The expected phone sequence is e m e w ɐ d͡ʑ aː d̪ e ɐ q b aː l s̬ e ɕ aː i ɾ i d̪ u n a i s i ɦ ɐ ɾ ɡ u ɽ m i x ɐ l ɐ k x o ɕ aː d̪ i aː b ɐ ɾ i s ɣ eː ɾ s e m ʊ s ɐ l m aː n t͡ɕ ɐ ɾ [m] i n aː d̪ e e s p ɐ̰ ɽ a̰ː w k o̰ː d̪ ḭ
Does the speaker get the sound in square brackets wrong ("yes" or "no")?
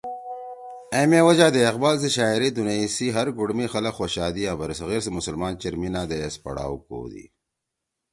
no